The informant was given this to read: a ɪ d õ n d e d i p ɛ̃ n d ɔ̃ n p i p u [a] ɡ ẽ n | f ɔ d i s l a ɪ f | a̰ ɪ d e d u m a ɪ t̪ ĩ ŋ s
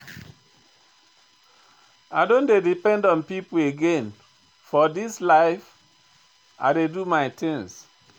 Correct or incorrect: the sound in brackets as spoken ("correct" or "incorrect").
incorrect